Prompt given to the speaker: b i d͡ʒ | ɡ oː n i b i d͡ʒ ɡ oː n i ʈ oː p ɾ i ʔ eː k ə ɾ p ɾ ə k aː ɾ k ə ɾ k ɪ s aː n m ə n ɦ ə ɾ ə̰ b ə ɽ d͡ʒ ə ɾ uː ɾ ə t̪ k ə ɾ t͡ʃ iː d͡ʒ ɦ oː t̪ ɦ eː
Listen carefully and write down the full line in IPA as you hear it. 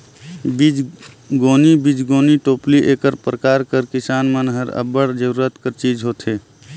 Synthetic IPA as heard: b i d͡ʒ | ɡ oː n i b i d͡ʒ ɡ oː n i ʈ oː p l i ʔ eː k ə ɾ p ɾ ə k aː ɾ k ə ɾ k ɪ s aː n m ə n ɦ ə ɾ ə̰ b ə ɽ d͡ʒ ə ɾ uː ɾ ə t̪ k ə ɾ t͡ʃ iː d͡ʒ ɦ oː t̪ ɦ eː